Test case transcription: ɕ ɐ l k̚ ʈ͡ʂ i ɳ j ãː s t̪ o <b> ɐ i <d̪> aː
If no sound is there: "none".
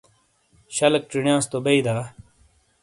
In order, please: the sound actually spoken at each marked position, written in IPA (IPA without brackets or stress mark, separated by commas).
b, d̪